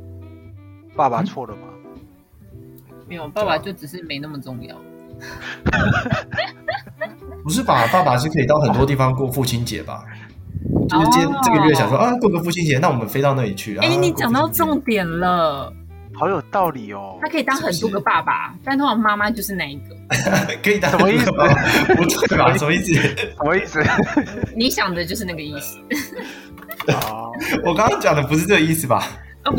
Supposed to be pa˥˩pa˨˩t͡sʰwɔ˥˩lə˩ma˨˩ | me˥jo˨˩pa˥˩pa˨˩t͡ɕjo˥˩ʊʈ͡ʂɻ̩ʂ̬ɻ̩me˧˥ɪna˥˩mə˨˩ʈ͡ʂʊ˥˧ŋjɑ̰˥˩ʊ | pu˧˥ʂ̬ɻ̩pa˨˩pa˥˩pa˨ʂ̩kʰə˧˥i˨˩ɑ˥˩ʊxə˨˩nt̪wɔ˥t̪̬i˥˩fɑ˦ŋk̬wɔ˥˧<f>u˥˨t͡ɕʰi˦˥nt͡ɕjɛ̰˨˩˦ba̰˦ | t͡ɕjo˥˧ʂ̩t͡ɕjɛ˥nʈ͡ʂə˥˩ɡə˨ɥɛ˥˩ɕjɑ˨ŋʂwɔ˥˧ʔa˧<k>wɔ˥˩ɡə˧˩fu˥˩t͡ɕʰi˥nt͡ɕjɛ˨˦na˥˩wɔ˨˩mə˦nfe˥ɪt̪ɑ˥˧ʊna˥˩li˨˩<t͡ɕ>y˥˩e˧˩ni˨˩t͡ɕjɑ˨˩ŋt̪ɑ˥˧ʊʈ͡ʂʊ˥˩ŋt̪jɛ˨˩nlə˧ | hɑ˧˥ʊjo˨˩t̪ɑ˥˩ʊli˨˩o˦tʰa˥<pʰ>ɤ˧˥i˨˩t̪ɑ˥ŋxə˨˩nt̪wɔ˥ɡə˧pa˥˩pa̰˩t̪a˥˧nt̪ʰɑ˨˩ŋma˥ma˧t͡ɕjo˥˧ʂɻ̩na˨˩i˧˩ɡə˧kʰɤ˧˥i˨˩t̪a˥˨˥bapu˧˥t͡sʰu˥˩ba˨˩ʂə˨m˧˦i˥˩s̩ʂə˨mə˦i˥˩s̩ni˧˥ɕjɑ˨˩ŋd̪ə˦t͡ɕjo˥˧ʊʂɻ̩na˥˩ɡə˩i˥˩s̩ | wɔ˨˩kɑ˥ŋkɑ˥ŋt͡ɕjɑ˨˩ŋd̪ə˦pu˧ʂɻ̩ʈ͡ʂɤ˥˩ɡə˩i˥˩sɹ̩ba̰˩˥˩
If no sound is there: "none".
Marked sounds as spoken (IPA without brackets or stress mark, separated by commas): f, k, t͡ɕʰ, kʰ